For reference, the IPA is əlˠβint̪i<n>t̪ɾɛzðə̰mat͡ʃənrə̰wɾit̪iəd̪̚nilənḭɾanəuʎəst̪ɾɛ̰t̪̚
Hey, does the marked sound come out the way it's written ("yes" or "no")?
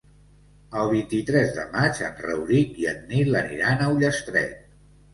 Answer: no